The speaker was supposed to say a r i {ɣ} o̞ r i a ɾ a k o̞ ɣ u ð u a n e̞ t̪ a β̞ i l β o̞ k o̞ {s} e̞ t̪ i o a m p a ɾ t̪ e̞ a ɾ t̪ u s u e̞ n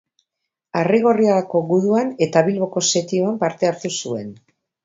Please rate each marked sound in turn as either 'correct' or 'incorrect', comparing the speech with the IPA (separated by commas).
correct, correct